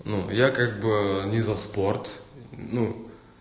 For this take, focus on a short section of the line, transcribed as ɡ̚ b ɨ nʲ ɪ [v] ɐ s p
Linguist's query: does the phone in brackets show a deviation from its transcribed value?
yes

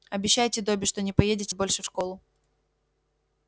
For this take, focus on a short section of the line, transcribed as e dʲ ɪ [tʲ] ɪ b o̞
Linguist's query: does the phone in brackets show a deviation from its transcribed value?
no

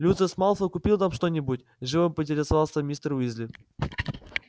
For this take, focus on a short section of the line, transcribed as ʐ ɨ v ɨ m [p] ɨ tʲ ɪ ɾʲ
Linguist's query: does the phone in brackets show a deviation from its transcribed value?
no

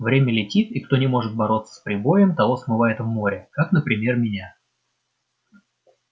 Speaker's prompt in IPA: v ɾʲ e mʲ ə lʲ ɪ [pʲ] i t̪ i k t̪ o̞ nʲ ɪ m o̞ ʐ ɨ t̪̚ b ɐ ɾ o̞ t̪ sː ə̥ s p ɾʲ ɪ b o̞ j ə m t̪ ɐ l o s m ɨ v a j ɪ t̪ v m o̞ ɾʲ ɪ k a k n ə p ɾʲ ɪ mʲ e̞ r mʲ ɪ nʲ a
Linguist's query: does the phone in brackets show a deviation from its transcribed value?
yes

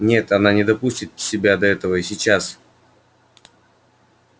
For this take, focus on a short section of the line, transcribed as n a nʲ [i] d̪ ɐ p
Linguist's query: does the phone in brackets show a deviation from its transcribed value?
yes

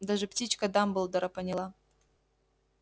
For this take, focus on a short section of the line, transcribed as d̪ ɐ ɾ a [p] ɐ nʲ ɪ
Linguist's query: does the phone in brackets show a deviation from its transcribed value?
no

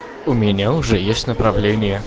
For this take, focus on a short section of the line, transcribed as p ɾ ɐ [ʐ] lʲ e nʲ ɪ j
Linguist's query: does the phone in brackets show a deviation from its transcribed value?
yes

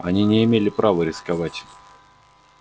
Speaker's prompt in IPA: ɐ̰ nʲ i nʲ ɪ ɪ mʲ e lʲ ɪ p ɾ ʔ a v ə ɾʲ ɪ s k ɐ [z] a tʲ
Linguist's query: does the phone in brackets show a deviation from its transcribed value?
yes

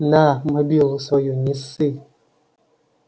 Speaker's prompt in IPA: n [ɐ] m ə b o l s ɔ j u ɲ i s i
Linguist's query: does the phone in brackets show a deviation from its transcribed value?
yes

